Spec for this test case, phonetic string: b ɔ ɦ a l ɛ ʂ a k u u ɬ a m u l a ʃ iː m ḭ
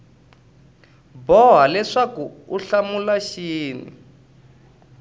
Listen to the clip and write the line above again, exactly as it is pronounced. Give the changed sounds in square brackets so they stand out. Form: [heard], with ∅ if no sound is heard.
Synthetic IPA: b ɔ ɦ a l ɛ ʂ a k u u ɬ a m u l a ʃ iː [n] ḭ